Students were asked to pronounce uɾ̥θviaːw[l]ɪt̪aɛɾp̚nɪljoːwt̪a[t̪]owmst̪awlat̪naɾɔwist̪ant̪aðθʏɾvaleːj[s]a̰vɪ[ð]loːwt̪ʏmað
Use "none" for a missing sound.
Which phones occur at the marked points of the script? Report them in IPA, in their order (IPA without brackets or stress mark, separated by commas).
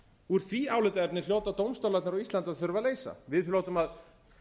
l, t̪, s, ð